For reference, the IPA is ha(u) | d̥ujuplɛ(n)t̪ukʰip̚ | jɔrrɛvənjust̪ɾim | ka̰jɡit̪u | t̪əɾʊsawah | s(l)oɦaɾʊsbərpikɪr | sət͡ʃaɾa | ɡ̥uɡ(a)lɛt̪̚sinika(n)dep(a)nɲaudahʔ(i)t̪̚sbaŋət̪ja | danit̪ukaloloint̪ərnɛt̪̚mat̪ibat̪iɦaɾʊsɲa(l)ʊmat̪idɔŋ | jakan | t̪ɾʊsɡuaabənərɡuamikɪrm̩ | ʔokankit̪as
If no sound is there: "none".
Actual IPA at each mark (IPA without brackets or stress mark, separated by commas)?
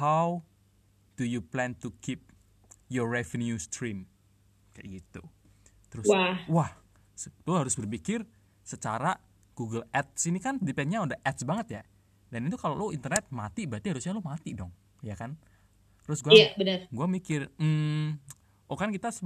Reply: w, n, l, ə, n, ɛ, ɛ, l